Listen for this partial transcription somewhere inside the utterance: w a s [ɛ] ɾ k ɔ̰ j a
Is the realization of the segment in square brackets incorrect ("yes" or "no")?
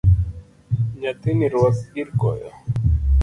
yes